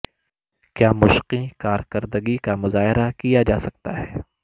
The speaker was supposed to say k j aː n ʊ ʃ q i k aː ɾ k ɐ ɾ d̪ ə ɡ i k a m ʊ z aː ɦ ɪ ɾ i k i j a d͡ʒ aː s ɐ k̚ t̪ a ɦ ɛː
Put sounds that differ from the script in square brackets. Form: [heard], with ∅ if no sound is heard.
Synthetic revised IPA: k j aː [m] ʊ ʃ q i k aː ɾ k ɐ ɾ d̪ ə ɡ i k a m ʊ z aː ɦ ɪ ɾ [a] k i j a d͡ʒ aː s ɐ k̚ t̪ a ɦ ɛː